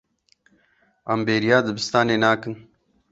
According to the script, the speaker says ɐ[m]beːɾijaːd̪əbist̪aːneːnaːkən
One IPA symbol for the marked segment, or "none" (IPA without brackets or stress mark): m